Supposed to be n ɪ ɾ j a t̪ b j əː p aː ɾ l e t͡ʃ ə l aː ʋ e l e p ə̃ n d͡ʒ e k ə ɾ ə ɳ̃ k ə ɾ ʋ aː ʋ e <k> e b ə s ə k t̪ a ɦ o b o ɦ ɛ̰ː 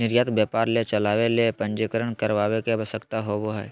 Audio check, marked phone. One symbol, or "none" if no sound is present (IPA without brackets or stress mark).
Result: k